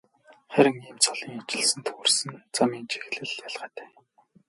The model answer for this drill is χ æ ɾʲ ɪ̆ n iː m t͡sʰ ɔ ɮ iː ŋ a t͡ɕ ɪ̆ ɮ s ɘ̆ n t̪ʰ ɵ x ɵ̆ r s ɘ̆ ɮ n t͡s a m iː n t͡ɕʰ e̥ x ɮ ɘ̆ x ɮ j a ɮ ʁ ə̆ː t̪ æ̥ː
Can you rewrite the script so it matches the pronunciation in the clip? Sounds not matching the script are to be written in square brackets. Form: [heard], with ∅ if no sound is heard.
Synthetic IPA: χ æ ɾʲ ɪ̆ [ŋ] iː m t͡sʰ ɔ ɮ iː ŋ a t͡ɕ ɪ̆ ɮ s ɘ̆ n t̪ʰ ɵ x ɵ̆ r s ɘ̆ [∅] n t͡s a m iː n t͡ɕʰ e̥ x ɮ ɘ̆ [∅] ɮ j a ɮ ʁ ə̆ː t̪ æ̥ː